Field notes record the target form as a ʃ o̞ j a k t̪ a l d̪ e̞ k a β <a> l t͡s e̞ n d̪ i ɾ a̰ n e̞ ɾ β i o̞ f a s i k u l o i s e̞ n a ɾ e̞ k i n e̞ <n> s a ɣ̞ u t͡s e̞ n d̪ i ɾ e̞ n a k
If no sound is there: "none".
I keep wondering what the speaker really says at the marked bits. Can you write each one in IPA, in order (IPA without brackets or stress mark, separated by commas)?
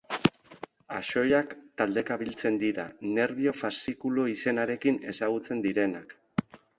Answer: i, none